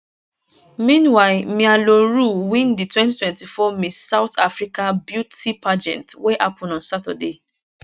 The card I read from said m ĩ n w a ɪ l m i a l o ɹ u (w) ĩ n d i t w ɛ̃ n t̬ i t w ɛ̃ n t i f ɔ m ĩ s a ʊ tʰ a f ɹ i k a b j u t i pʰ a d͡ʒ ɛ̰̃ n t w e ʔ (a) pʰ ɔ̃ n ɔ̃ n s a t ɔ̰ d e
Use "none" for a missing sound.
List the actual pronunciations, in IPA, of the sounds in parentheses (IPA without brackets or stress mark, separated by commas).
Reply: w, a